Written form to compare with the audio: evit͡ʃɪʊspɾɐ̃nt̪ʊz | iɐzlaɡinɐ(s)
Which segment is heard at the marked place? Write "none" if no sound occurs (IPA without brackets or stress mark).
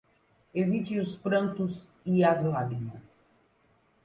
s